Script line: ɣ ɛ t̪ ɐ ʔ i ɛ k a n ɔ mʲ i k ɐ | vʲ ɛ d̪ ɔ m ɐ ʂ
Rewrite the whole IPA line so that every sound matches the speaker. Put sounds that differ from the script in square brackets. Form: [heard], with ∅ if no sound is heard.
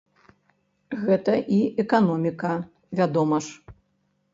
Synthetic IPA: ɣ ɛ t̪ ɐ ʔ i ɛ k a n ɔ mʲ i k ɐ | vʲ [a] d̪ ɔ m ɐ ʂ